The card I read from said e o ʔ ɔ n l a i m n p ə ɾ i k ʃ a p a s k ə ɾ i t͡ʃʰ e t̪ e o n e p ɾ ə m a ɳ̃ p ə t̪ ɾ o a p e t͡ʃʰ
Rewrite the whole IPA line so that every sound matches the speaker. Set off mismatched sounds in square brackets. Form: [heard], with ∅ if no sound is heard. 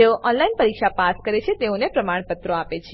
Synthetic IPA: e o ʔ ɔ n l a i [∅] n p ə ɾ i k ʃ a p a s k ə ɾ [e] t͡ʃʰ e t̪ e o n e p ɾ ə m a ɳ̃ p ə t̪ ɾ o a p e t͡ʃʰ